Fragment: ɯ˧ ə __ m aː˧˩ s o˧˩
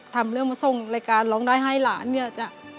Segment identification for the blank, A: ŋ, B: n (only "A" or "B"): A